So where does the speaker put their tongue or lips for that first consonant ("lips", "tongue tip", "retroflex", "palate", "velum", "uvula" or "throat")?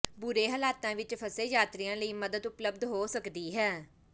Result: lips